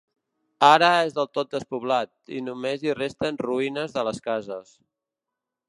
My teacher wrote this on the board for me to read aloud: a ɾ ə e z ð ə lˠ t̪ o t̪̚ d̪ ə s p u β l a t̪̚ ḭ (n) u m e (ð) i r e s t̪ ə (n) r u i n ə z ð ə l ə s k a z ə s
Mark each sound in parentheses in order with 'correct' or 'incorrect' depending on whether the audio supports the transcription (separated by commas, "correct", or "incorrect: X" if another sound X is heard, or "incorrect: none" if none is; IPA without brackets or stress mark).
correct, incorrect: z, correct